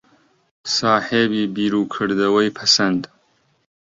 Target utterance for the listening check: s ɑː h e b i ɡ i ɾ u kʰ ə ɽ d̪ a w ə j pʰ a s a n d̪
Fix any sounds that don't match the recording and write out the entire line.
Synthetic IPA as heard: s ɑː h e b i b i ɾ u kʰ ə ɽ d̪ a w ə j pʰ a s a n d̪